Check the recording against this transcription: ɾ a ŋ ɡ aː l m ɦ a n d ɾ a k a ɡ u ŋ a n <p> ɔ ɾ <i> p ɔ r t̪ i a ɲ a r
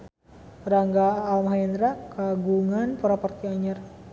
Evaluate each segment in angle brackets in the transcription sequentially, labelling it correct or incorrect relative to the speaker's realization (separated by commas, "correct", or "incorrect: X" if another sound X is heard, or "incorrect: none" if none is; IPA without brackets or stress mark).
correct, incorrect: a